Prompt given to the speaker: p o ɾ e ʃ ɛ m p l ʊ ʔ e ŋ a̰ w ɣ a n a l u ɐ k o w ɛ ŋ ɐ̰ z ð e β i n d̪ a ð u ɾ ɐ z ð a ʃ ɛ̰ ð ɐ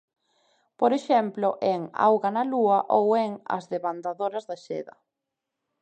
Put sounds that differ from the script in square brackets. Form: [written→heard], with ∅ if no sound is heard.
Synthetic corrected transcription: p o ɾ e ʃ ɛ m p l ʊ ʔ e ŋ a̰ w ɣ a n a l u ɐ [k→ʔ] o w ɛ ŋ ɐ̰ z ð e β [i→a] n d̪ a ð [u→o] ɾ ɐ z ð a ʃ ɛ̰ ð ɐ